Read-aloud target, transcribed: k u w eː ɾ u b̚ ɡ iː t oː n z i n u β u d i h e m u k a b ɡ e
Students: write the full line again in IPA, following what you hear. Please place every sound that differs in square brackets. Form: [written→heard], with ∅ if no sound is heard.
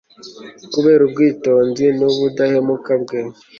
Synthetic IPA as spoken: k u [w→β] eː ɾ u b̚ ɡ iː t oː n z i n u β u d [i→a] h e m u k a b ɡ e